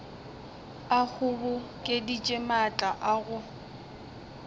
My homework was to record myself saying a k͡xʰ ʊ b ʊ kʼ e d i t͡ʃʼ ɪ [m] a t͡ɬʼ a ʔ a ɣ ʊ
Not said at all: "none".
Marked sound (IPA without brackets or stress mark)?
m